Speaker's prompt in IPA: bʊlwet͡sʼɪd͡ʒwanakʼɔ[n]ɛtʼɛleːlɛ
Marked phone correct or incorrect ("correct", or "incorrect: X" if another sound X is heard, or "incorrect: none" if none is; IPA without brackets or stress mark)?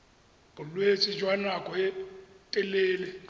incorrect: none